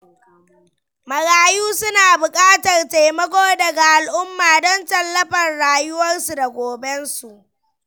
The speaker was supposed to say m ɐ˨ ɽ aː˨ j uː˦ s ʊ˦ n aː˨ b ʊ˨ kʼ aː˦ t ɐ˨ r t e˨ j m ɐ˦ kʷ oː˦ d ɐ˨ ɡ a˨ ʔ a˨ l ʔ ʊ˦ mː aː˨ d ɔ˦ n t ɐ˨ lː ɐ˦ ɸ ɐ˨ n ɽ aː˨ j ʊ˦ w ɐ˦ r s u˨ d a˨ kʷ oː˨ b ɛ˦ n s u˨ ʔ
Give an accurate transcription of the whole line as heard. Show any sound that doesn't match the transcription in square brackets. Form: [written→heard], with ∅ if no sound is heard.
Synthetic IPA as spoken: m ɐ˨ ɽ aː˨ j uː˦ s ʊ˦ n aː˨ b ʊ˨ kʼ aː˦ t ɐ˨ r t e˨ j m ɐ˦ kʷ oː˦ d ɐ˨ ɡ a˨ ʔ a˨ l ʔ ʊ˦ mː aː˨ d ɔ˦ n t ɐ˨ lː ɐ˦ ɸ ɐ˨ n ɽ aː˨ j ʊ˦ w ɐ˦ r s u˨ d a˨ [kʷ→ɡʷ] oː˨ b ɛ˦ n s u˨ ʔ